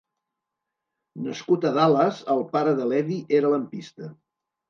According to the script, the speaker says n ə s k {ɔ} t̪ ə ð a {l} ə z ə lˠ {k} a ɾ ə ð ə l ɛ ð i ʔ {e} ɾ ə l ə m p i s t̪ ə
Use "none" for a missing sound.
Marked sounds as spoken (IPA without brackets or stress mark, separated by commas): u, l, p, e